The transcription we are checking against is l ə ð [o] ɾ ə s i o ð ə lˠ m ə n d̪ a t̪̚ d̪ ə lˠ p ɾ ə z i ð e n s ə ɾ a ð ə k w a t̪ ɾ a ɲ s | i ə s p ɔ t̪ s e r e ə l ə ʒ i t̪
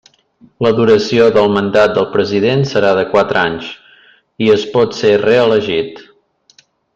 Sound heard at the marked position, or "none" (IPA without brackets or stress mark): u